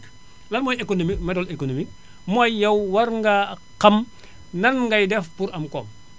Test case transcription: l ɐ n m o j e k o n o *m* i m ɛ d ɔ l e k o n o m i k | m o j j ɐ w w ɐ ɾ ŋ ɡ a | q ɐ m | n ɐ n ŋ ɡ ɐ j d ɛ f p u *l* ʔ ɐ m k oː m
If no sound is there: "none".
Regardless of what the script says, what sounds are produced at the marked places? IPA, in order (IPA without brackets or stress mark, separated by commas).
m, ɾ